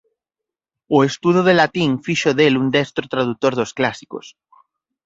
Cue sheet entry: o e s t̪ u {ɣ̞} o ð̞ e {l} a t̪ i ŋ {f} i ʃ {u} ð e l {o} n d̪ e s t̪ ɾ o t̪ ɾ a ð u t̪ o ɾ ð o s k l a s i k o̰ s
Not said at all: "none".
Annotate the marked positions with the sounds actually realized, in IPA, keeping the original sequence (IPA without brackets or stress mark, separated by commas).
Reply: ð̞, l, f, o, u